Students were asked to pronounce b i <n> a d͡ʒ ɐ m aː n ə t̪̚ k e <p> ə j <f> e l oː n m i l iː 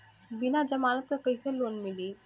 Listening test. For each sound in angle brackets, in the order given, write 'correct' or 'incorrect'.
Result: correct, incorrect: k, incorrect: s

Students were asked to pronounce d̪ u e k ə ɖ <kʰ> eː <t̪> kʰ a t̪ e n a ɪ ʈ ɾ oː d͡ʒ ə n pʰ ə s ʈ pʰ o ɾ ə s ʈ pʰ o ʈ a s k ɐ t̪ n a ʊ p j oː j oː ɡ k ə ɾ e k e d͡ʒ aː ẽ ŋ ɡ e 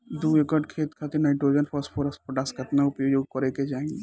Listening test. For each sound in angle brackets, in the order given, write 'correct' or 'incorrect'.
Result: correct, correct

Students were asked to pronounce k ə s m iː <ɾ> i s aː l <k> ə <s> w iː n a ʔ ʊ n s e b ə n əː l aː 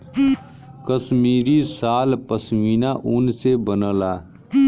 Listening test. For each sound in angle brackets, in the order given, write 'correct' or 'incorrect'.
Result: correct, incorrect: p, correct

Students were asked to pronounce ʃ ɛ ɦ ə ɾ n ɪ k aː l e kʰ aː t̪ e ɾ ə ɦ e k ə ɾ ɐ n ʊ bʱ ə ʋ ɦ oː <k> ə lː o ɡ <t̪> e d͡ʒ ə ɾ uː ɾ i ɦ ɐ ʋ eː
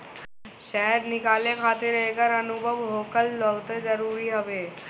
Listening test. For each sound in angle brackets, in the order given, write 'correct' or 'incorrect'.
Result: correct, correct

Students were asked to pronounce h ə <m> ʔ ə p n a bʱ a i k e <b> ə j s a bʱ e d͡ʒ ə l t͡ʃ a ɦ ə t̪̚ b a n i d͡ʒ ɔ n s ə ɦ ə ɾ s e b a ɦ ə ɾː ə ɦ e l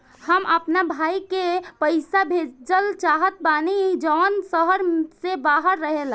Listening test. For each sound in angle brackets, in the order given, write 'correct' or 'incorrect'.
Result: correct, incorrect: p

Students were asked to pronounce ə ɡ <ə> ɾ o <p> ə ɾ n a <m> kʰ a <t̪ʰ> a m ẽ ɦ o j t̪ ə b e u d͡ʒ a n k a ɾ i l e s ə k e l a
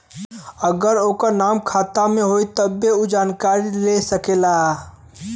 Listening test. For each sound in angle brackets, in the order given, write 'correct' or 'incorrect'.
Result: correct, incorrect: k, correct, incorrect: t̪

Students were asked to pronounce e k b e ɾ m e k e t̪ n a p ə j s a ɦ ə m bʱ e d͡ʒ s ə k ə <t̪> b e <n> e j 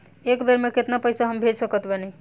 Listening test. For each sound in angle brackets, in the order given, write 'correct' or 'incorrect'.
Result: correct, correct

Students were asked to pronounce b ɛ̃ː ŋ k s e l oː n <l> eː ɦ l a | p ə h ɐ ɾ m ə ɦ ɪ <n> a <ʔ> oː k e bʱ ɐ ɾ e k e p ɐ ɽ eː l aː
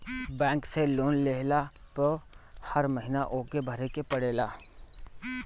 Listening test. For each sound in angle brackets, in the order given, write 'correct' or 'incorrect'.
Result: correct, correct, correct

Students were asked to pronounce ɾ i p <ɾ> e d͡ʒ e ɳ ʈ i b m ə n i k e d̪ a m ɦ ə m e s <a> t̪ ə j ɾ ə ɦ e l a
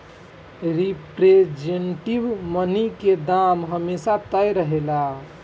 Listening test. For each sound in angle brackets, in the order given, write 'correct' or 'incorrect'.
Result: correct, correct

